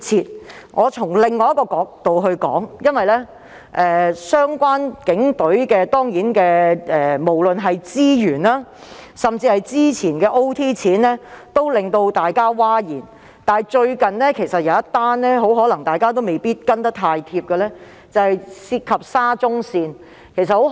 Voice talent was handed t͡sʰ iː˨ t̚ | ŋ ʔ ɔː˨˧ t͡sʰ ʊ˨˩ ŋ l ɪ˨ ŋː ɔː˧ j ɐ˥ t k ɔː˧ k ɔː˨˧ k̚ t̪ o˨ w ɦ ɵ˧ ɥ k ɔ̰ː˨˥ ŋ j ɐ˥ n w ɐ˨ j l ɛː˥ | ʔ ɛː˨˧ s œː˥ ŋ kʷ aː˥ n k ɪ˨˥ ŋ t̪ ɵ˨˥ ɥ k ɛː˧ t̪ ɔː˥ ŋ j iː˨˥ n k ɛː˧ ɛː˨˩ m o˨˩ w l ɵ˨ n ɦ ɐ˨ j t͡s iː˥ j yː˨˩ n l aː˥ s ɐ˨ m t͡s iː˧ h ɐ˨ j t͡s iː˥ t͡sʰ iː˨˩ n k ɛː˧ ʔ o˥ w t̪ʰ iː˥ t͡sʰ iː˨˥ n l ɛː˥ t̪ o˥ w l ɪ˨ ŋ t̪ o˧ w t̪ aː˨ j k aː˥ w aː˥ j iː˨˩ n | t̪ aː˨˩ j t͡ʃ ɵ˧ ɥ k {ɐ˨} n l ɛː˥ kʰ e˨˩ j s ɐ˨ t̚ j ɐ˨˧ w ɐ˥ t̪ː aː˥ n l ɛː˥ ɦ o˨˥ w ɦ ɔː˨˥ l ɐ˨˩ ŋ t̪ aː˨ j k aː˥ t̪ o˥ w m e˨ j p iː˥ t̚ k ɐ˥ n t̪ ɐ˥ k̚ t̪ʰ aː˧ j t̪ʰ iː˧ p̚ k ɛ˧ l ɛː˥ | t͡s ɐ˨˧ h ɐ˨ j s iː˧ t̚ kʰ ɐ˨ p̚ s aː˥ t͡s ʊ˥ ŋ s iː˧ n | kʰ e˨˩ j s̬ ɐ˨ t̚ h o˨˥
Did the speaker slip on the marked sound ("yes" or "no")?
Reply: no